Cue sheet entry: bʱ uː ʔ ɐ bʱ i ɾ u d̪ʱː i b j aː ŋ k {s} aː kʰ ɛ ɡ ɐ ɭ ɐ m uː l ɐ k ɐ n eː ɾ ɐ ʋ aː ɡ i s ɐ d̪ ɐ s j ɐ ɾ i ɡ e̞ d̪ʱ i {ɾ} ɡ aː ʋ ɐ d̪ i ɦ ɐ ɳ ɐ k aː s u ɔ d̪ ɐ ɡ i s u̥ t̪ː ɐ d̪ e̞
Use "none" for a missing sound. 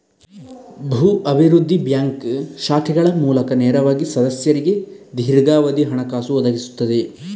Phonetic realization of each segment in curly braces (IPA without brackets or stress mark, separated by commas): ʃ, ɾ